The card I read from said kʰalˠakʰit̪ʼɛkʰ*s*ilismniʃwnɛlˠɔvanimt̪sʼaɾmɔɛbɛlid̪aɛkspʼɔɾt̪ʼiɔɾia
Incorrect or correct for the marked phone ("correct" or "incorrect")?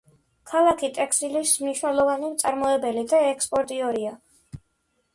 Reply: correct